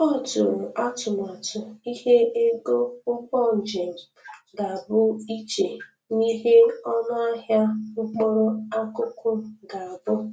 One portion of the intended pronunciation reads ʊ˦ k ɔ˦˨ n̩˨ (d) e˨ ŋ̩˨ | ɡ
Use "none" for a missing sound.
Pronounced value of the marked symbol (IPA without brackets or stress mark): d͡ʒ